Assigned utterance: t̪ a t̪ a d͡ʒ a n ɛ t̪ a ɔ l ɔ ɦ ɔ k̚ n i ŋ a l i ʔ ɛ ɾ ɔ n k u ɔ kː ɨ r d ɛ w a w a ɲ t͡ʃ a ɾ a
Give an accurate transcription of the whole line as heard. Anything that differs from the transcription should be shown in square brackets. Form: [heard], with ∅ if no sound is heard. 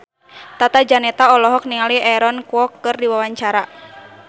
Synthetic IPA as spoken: t̪ a t̪ a d͡ʒ a n ɛ t̪ a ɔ l ɔ ɦ ɔ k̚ n i ŋ a l i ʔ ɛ ɾ ɔ n k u ɔ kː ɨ r d [i] w a w a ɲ t͡ʃ a ɾ a